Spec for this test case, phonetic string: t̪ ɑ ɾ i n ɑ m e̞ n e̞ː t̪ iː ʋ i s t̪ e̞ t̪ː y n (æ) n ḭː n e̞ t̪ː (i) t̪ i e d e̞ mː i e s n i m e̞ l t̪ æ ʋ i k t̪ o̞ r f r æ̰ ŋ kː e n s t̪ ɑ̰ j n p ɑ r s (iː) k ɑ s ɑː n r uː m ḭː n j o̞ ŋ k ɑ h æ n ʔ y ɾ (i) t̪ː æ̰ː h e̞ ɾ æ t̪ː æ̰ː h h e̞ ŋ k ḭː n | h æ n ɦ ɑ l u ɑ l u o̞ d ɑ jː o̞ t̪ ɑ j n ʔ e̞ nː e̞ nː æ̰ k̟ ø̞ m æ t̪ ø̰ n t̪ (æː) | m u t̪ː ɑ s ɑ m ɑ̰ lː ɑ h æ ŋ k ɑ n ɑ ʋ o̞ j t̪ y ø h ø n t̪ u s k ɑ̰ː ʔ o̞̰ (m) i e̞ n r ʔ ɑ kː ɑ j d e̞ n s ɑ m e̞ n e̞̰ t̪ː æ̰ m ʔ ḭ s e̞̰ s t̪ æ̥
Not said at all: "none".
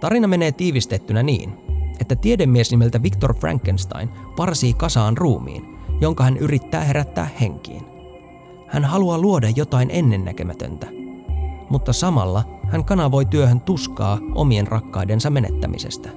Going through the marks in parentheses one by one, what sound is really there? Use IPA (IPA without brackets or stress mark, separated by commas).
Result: æ, æ, iː, i, æ, m